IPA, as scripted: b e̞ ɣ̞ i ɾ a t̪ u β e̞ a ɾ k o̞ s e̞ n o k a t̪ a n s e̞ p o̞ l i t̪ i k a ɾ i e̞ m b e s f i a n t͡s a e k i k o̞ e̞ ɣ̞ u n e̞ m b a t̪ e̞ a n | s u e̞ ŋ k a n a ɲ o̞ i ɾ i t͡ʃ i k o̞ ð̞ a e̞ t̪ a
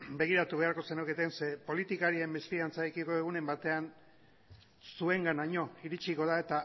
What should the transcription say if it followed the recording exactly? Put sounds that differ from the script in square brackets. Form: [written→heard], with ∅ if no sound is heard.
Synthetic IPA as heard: b e̞ ɣ̞ i ɾ a t̪ u β e̞ a ɾ k o̞ s e̞ n o k [a→e] t̪ [a→e] n s e̞ p o̞ l i t̪ i k a ɾ i e̞ m b e s f i a n t͡s a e k i k o̞ e̞ ɣ̞ u n e̞ m b a t̪ e̞ a n | s u e̞ ŋ [k→ɡ] a n a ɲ o̞ i ɾ i t͡ʃ i k o̞ ð̞ a e̞ t̪ a